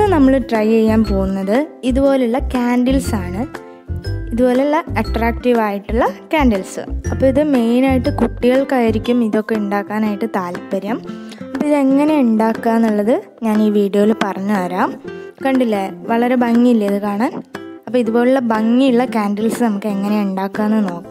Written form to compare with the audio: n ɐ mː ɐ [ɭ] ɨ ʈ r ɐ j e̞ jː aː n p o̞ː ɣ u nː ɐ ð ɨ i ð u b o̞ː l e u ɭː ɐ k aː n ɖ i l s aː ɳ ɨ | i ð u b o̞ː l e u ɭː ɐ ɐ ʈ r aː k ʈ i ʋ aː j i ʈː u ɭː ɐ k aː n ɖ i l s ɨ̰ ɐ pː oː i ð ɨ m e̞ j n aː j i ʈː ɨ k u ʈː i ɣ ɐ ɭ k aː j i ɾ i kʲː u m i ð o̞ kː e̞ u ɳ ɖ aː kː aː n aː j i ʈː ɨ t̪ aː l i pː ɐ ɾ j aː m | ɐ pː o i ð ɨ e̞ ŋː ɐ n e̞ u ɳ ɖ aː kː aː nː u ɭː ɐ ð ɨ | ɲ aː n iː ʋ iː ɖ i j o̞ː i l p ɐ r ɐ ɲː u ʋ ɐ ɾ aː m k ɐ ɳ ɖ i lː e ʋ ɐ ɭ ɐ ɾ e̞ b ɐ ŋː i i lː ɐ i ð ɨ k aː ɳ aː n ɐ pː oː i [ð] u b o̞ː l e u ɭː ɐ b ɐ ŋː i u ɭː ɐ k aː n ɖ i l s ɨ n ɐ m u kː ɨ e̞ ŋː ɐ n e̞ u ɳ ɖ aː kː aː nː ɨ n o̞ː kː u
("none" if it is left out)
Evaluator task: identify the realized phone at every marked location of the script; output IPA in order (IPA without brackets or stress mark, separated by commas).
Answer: ɭ, ð